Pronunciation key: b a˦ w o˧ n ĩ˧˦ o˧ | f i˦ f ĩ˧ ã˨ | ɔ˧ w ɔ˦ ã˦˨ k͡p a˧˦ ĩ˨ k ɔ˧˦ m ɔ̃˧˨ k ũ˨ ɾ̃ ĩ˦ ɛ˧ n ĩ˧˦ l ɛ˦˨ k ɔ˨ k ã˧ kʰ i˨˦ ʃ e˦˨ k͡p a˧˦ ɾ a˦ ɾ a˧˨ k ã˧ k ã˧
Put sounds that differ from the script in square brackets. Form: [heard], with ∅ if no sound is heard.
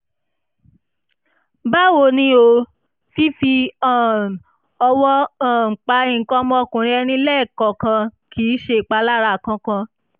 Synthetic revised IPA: b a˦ w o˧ n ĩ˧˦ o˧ | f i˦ f [i˧] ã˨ | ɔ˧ w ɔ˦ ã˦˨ k͡p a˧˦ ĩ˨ k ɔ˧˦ m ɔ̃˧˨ k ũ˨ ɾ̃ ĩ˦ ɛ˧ n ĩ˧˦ l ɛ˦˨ k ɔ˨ k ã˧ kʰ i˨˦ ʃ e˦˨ k͡p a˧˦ [l] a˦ ɾ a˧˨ k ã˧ k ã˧